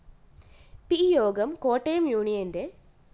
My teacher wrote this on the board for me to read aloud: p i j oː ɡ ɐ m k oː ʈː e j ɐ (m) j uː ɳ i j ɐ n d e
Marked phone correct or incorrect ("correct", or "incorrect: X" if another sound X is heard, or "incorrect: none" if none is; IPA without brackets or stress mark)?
correct